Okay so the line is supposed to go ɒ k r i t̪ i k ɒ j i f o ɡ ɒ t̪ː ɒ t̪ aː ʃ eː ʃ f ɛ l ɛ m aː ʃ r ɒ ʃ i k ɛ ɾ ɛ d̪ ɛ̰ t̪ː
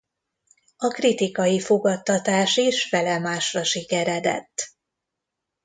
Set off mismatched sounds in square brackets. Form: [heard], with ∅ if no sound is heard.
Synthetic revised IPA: ɒ k r i t̪ i k ɒ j i f o ɡ ɒ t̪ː ɒ t̪ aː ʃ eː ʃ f ɛ l ɛ m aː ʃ r ɒ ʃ i k ɛ ɾ ɛ d̪ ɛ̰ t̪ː